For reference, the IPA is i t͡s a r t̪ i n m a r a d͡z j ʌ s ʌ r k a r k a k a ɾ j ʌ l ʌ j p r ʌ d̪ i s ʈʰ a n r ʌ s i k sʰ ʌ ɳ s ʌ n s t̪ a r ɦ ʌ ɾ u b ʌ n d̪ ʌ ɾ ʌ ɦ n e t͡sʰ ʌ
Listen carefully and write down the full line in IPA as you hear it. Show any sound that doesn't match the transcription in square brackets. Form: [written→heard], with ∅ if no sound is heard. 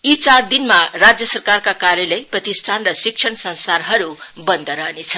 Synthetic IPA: i t͡s a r [t̪→d̪] i n m a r a d͡z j ʌ s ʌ r k a r k a k a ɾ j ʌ l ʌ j p r ʌ [d̪→t̪] i s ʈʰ a n r ʌ s i k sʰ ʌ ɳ s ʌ n s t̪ a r ɦ ʌ ɾ u b ʌ n d̪ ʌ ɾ ʌ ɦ n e t͡sʰ ʌ